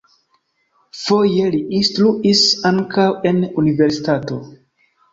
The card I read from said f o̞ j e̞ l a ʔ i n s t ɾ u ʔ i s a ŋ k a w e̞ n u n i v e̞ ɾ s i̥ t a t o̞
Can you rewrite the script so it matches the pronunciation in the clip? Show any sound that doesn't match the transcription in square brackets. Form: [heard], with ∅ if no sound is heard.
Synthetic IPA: f o̞ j e̞ l [i] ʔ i n s t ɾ u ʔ i s a ŋ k a w e̞ n u n i v e̞ ɾ s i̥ t a t o̞